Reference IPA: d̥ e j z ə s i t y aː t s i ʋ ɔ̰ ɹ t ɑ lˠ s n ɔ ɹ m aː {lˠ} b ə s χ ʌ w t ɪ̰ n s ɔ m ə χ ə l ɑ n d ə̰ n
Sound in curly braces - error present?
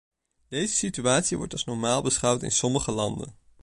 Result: no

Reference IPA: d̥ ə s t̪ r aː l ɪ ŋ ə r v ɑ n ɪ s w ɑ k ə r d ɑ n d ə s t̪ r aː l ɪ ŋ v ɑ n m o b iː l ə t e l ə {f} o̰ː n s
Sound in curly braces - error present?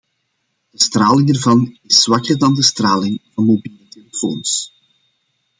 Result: no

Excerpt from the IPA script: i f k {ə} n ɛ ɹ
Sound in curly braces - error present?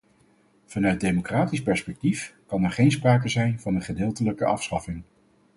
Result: yes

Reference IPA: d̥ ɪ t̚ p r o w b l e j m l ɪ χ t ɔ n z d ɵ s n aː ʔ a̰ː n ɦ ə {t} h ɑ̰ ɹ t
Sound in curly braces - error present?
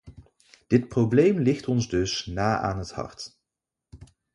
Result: no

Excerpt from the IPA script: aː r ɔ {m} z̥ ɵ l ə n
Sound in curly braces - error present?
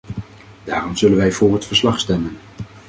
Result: no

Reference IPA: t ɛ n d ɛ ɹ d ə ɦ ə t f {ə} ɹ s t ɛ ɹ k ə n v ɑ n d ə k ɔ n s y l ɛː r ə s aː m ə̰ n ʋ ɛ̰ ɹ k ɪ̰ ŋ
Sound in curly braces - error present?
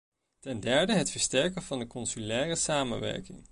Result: no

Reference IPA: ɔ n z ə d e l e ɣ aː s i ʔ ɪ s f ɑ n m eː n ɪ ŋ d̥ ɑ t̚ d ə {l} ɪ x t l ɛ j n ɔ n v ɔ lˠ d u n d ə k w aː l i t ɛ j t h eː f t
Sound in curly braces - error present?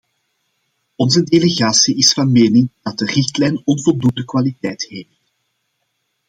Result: yes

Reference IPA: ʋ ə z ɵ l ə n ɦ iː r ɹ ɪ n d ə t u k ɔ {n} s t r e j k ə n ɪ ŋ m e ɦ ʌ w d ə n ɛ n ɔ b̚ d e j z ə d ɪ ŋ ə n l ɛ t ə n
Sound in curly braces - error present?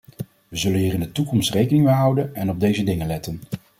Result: yes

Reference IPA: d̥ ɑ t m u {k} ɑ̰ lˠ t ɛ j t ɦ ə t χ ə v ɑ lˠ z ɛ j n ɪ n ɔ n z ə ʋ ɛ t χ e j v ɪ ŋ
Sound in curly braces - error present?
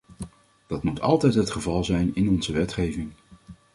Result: yes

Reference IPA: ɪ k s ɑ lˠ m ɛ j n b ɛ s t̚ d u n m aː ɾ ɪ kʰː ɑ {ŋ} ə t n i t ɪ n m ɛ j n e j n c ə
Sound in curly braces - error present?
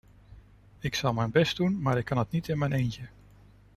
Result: yes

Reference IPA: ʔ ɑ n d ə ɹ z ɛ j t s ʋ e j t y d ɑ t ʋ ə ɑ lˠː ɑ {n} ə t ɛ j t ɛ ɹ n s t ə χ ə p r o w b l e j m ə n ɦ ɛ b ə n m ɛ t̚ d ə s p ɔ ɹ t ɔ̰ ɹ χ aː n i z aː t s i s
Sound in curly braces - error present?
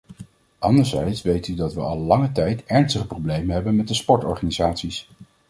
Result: yes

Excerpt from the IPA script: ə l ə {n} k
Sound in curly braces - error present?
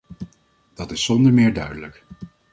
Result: yes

